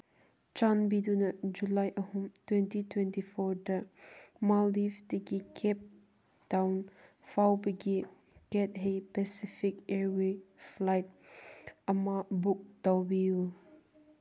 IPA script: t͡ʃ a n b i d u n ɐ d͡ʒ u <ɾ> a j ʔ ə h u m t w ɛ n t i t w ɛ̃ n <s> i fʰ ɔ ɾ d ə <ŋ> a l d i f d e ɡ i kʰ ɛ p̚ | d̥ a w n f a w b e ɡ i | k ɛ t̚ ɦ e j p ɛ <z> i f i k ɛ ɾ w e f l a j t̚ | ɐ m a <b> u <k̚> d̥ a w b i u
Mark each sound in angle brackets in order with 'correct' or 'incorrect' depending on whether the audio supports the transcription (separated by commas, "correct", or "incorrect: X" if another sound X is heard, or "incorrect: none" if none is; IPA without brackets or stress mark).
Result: incorrect: l, incorrect: t, incorrect: m, incorrect: s, correct, correct